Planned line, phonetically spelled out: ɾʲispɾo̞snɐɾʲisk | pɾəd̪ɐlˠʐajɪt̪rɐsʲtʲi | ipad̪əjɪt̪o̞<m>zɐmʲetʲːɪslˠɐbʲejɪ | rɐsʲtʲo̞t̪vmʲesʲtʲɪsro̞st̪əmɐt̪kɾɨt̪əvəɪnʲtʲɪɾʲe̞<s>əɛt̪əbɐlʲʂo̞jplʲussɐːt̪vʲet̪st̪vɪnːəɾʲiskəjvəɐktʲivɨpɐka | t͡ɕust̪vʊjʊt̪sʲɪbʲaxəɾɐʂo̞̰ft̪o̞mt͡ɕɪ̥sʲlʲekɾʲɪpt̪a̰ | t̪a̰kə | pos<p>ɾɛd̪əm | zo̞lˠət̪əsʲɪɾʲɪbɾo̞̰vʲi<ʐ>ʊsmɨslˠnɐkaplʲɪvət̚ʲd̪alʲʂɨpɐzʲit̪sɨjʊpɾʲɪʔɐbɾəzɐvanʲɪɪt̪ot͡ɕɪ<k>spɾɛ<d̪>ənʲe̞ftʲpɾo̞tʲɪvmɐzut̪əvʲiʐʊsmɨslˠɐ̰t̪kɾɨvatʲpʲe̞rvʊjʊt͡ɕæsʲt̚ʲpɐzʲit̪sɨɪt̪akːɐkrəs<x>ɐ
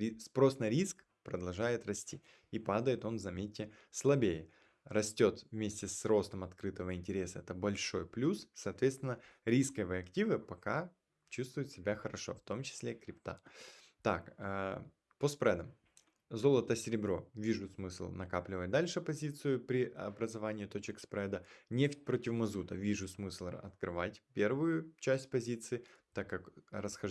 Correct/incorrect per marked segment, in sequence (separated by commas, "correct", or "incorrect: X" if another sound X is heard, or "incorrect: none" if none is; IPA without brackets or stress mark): incorrect: n, correct, correct, correct, correct, correct, correct